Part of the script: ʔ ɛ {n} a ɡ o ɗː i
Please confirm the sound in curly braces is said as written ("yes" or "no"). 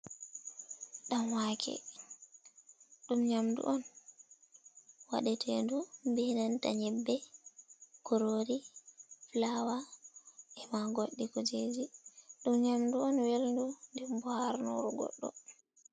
no